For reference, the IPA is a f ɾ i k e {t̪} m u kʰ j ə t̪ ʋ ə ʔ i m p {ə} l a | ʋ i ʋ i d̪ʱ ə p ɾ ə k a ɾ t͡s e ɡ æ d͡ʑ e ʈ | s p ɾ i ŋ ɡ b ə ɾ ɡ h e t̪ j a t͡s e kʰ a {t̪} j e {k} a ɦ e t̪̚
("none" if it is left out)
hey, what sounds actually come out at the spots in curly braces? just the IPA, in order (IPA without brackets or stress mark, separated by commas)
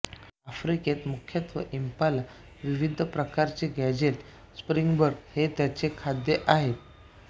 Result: t̪, a, d̪, ʔ